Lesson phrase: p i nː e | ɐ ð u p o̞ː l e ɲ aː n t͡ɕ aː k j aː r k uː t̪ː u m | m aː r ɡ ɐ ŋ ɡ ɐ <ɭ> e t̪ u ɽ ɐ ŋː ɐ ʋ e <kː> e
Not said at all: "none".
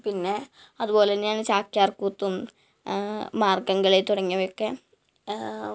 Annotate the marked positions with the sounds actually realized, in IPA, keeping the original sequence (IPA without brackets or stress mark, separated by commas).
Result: ɭ, kː